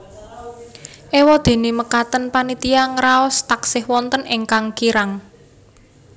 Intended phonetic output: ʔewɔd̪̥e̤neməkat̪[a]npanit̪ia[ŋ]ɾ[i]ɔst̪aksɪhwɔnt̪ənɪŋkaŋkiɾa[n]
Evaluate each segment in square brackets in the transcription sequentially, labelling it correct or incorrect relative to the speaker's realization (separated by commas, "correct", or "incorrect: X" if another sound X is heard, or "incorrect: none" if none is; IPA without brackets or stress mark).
incorrect: ə, correct, incorrect: a, incorrect: ŋ